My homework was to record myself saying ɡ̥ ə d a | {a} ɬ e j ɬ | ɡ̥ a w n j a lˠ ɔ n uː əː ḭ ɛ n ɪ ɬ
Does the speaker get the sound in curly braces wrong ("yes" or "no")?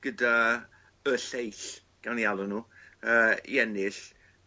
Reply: yes